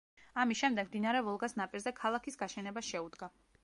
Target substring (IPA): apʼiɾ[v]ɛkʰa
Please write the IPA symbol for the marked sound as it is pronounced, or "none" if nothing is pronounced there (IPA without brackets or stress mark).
z